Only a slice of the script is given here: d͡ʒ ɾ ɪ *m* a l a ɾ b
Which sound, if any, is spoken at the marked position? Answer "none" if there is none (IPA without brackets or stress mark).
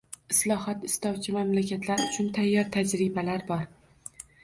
b